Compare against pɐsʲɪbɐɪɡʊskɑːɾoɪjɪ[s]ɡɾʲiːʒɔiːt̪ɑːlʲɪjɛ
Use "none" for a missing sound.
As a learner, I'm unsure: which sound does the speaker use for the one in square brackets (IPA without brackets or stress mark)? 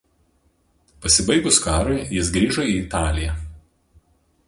s